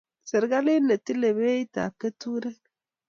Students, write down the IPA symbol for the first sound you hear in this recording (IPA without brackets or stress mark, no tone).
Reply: s